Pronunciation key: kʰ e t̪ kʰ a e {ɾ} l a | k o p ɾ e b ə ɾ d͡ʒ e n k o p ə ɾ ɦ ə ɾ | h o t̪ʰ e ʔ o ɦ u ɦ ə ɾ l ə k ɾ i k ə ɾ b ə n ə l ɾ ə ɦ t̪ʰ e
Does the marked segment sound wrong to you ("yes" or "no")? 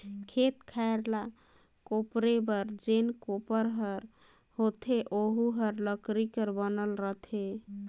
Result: no